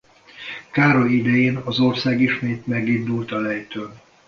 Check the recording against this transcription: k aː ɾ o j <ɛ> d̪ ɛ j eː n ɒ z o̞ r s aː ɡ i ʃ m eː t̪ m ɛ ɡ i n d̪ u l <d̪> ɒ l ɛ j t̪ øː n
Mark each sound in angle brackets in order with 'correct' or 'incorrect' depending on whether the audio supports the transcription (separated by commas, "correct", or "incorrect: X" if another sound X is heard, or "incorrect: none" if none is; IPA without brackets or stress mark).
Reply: incorrect: i, incorrect: t̪